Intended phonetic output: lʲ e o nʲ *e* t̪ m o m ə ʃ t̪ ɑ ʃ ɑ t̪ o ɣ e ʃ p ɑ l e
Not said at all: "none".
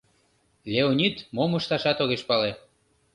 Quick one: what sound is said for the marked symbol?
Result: i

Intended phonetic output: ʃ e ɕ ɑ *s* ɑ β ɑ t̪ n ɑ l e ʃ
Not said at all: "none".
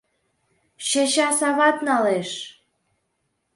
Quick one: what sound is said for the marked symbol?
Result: s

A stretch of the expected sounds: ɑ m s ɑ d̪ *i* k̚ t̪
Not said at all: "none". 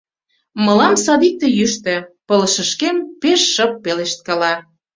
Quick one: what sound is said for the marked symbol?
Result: i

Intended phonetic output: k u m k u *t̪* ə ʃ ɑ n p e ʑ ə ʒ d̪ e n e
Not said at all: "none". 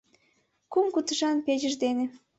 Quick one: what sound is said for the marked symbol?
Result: t̪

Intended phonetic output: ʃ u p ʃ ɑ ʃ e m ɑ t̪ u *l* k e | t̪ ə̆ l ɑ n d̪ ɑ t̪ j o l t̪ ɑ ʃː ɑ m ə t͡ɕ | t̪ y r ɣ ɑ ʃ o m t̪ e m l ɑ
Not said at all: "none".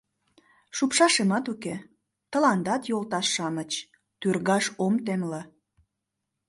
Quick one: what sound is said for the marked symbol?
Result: none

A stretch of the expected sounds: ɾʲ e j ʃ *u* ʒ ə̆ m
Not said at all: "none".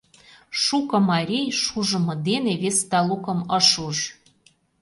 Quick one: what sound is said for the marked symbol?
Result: u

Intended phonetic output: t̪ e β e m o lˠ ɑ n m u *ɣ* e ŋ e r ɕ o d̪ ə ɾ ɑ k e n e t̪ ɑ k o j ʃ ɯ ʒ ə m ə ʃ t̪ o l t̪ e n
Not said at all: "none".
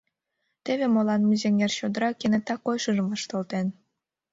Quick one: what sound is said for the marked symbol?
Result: z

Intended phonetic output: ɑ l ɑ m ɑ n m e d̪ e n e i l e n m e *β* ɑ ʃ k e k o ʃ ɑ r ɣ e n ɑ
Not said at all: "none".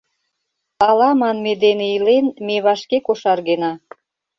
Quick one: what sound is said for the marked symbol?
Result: β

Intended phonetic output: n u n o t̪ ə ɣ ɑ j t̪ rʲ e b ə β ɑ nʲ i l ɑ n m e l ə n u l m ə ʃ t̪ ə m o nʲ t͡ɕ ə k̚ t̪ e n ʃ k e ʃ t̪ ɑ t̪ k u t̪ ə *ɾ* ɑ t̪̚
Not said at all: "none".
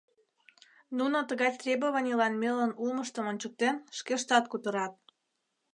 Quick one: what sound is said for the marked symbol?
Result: ɾ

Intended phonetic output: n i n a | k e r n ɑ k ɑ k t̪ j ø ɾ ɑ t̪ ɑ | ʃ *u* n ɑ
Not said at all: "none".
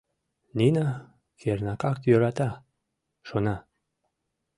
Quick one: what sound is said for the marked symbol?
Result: o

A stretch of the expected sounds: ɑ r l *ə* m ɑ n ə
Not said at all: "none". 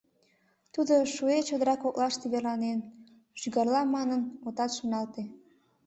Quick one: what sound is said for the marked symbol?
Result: ɑ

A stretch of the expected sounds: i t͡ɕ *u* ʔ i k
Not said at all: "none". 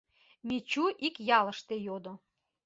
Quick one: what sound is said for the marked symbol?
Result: u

